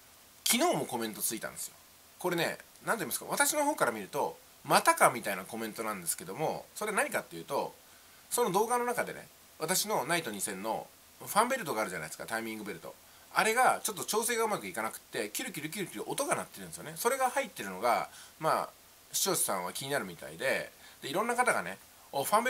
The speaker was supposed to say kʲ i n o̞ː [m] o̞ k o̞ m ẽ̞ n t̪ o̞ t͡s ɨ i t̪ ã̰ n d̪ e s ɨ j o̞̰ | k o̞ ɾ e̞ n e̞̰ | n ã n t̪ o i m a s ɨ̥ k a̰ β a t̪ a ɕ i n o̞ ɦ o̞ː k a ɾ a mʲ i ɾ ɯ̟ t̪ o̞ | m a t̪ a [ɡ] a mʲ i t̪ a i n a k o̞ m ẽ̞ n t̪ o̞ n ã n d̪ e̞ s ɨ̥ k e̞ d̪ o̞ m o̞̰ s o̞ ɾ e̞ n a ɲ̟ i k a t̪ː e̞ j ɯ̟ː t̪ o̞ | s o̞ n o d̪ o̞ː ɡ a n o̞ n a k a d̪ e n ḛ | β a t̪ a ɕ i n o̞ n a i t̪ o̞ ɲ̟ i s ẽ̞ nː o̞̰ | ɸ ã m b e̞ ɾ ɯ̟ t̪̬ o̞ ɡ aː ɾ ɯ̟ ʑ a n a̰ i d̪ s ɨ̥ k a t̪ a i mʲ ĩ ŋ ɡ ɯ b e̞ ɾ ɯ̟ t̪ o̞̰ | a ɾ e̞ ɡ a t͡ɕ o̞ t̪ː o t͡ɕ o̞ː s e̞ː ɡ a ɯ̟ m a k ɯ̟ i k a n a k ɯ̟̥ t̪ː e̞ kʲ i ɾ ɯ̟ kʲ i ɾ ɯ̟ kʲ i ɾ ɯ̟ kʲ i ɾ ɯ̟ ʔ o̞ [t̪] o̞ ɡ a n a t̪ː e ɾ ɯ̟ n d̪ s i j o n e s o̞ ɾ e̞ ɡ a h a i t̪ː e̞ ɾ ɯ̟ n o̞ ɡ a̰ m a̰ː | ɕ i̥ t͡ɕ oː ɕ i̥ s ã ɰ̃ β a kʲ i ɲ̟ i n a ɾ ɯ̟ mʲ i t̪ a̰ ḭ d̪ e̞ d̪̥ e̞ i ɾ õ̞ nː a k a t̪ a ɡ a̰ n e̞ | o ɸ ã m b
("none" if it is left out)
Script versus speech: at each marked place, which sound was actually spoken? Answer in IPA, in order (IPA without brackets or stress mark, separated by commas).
m, k, t̪